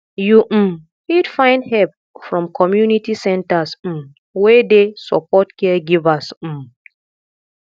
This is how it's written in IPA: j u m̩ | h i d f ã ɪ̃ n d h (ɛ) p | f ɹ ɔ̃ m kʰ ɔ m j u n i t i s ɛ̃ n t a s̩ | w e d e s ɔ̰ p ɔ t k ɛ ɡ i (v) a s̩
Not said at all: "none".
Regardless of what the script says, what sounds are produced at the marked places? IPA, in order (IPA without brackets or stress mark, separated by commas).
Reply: ɛ, v